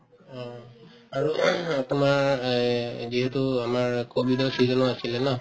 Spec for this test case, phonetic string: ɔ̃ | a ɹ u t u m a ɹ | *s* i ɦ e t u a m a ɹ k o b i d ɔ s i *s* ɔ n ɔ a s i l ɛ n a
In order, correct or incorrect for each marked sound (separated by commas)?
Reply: incorrect, incorrect